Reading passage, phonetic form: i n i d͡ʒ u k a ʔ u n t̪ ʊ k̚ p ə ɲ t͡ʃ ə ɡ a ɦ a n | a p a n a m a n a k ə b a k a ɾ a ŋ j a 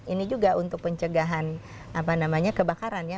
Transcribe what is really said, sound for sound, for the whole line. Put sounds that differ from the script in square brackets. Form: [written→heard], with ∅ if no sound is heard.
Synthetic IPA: i n i d͡ʒ u [k→ɡ] a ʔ u n t̪ ʊ k̚ p ə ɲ t͡ʃ ə ɡ a ɦ a n | a p a n a m a [n→ɲ] a k ə b a k a ɾ a [ŋ→n] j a